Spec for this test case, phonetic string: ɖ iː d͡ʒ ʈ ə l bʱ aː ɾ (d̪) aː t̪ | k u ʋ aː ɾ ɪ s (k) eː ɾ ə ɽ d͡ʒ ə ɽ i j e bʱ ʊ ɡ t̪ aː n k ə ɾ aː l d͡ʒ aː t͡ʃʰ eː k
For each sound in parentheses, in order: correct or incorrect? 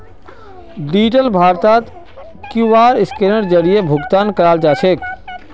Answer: incorrect, correct

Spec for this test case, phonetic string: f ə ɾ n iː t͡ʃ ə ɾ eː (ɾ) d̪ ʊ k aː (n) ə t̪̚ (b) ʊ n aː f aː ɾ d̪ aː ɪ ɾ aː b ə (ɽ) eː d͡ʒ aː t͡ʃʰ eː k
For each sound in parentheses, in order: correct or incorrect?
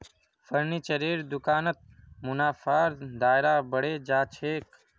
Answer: correct, correct, incorrect, correct

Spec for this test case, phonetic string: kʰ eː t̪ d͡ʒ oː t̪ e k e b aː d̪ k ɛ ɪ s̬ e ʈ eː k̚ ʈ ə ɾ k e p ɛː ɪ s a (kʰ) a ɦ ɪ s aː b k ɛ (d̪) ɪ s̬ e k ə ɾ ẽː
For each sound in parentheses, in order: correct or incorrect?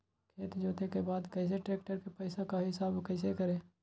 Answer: incorrect, incorrect

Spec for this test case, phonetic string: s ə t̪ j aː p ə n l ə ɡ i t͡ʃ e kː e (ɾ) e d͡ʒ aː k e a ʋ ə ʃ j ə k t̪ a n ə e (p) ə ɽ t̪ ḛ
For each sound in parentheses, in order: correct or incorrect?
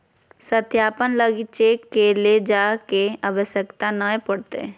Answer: incorrect, correct

